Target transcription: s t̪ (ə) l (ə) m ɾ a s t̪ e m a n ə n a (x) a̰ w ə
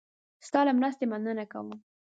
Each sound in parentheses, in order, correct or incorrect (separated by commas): incorrect, incorrect, incorrect